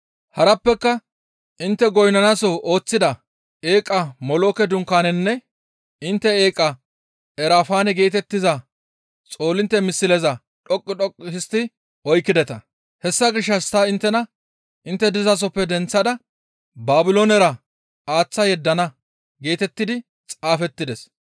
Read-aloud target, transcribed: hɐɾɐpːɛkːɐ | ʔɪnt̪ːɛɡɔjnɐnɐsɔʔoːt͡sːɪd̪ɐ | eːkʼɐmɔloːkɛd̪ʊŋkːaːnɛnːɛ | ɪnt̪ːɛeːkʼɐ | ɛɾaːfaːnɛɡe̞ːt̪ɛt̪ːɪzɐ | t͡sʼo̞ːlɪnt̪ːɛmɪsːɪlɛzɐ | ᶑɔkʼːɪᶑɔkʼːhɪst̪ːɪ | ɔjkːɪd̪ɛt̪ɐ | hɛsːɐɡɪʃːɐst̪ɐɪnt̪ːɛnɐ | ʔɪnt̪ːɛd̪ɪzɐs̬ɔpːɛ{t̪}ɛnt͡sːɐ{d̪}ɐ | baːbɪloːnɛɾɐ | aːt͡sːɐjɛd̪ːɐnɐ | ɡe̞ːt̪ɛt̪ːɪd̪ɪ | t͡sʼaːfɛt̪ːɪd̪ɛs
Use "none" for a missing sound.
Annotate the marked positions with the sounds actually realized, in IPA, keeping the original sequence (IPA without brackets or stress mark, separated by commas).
d̪, d̪